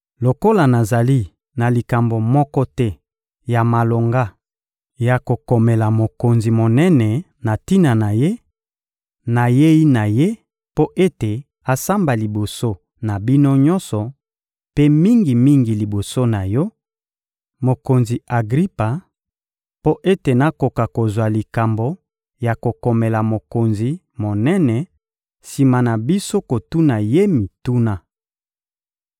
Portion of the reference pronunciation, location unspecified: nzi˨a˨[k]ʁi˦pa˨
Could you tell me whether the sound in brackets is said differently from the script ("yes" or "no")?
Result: yes